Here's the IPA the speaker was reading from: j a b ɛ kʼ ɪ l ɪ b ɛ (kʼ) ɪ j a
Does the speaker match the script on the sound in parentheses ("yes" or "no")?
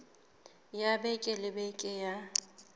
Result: yes